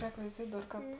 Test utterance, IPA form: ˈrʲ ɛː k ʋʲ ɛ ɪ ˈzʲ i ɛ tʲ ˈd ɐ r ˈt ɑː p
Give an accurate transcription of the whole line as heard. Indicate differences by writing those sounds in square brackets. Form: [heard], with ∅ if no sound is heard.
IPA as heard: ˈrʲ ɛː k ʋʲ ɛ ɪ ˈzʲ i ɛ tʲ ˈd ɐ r [ˈk] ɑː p